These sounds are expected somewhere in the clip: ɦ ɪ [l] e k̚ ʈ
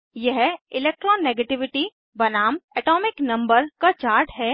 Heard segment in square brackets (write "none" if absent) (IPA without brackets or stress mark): l